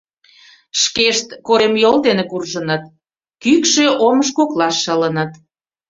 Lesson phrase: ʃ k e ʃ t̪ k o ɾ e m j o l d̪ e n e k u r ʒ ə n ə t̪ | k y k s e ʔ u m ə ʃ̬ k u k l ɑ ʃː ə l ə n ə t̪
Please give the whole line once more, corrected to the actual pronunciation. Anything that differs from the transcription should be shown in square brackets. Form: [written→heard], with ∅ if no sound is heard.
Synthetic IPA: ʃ k e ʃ t̪ k o ɾ e m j o l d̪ e n e k u r ʒ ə n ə t̪ | k y k [s→ʃ] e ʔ [u→o] m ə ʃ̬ k [u→o] k l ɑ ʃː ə l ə n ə t̪